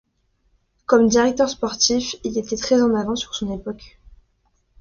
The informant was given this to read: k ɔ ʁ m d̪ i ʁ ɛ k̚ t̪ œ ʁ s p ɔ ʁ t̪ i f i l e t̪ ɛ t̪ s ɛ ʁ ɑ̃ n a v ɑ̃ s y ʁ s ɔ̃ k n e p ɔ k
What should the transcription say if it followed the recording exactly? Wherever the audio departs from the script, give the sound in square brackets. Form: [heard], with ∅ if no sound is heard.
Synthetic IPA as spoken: k ɔ [∅] m d̪ i ʁ ɛ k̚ t̪ œ ʁ s p ɔ ʁ t̪ i f i l e t̪ ɛ t̪ [χ] ɛ [z] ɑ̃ n a v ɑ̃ s y ʁ s ɔ̃ [∅] n e p ɔ k